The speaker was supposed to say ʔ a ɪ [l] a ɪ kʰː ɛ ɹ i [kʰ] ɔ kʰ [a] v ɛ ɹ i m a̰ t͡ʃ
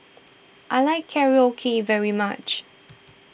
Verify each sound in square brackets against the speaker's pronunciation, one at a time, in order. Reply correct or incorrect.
correct, incorrect: none, incorrect: i

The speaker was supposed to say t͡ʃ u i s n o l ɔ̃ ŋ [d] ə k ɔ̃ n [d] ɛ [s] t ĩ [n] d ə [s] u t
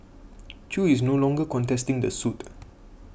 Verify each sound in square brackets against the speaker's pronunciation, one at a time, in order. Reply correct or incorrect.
incorrect: ɡ, incorrect: t, correct, incorrect: ŋ, correct

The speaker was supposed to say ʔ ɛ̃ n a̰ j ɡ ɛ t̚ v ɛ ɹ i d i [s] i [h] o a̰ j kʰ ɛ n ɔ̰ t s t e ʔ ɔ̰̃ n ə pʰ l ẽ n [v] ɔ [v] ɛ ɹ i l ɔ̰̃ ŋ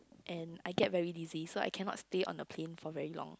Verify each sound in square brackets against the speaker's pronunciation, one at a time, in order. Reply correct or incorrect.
incorrect: z, incorrect: s, incorrect: f, correct

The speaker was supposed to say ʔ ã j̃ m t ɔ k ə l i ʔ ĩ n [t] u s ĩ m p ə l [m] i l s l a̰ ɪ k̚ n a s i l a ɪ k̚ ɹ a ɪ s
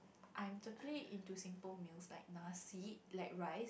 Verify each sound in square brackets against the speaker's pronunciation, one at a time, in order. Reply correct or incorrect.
correct, correct

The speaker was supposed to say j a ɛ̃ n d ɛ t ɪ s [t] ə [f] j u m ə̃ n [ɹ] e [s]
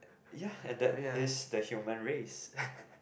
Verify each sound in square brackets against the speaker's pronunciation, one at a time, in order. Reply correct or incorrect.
incorrect: d, incorrect: h, correct, correct

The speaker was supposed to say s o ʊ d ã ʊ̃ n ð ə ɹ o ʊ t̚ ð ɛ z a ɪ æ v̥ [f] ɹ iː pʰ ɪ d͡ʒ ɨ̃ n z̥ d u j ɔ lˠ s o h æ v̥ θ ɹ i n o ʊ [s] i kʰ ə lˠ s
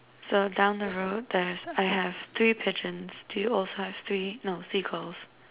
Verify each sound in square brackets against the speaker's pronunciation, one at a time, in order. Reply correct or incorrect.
incorrect: θ, correct

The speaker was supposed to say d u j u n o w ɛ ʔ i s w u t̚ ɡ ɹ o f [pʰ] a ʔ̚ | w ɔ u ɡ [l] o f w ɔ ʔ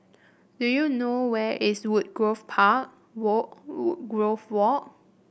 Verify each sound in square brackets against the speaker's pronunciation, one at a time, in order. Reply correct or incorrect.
correct, incorrect: ɹ

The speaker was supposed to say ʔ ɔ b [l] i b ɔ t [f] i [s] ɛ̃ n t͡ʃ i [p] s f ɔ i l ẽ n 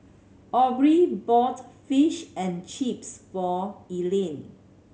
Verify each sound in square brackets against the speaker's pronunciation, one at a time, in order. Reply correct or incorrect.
incorrect: ɹ, correct, incorrect: ʃ, correct

